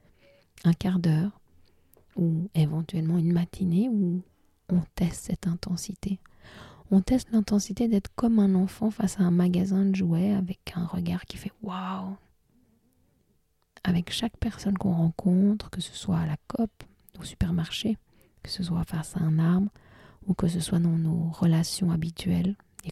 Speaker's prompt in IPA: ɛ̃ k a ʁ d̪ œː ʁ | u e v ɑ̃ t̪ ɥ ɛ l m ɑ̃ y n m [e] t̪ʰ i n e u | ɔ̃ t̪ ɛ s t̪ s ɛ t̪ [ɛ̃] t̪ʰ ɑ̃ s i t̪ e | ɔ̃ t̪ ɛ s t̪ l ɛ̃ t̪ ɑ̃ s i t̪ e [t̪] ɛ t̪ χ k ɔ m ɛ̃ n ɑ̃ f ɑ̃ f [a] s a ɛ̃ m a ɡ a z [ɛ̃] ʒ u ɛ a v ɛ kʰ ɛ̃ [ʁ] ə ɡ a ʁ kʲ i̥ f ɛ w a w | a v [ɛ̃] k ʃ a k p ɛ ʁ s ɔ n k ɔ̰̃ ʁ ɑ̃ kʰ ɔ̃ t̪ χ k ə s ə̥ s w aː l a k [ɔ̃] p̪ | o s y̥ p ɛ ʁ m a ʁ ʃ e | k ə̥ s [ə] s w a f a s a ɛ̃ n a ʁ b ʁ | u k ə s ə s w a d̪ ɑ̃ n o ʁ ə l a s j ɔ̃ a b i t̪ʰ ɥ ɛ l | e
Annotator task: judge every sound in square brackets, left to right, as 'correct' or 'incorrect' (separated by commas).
incorrect, correct, incorrect, correct, correct, correct, incorrect, incorrect, correct